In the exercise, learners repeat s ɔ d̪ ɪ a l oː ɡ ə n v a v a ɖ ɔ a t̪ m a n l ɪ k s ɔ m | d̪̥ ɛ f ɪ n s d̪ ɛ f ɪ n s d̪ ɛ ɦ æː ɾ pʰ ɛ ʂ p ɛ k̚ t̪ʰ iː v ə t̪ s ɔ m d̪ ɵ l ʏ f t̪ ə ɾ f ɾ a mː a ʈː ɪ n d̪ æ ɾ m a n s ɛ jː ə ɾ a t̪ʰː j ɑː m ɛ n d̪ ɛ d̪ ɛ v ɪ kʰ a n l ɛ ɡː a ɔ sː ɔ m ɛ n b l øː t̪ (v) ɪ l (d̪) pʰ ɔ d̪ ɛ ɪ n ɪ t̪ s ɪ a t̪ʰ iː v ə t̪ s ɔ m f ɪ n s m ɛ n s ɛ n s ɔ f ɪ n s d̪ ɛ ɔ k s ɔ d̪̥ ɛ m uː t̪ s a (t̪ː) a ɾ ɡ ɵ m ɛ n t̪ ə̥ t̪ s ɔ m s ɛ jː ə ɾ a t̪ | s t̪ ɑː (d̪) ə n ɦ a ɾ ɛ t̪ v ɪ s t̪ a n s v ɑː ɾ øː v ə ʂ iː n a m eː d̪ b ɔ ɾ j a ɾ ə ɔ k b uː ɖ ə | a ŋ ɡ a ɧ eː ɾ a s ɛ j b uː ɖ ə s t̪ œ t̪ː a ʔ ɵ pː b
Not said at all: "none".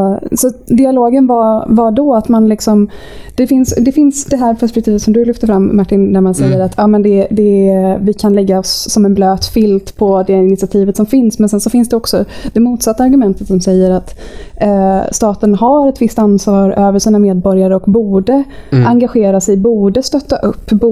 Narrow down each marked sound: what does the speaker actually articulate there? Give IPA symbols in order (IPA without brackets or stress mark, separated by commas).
f, t̪, t̪ː, t̪